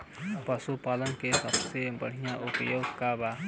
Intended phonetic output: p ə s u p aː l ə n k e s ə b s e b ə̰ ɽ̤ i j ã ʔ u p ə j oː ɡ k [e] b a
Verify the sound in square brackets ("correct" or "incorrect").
incorrect